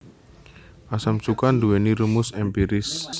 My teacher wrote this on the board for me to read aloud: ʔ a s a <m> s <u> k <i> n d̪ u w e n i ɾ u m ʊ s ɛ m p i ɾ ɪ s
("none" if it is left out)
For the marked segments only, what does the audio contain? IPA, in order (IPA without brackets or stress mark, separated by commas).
m, u, a